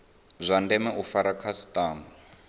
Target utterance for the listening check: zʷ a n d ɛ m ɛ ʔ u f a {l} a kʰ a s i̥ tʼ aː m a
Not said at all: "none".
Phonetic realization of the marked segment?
ɾ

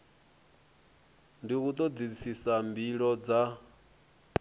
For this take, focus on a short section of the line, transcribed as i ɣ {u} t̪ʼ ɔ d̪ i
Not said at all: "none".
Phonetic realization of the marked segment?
u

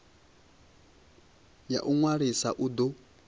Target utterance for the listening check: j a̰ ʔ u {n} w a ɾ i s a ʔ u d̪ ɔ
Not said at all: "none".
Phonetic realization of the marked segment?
ŋ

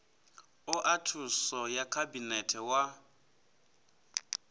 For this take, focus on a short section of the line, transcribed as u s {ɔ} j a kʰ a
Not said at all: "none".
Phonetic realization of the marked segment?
ɔ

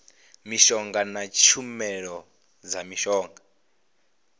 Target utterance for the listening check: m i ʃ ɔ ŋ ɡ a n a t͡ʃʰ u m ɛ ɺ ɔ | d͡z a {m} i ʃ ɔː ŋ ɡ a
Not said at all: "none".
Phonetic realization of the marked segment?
m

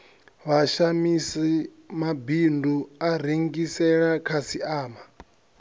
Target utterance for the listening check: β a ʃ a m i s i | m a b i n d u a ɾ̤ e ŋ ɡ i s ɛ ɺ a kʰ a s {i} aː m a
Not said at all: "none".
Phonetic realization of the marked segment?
i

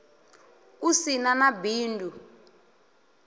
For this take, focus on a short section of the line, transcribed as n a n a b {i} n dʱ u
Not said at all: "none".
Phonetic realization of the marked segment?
iː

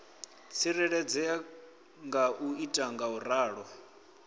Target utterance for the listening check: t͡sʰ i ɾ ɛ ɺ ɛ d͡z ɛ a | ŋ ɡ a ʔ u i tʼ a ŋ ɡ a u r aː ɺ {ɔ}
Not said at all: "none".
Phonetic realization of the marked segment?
ɔ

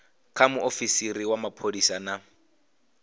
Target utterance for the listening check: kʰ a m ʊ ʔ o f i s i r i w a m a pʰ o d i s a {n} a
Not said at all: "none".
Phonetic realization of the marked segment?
n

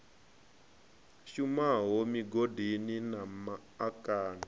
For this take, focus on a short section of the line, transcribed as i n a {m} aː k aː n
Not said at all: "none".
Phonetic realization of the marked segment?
m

